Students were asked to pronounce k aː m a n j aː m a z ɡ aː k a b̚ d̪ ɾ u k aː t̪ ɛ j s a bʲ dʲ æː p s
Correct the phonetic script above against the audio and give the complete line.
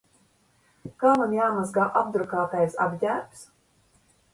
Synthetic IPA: k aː m a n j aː m a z ɡ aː ʔ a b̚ d̪ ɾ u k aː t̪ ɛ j s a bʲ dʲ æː p s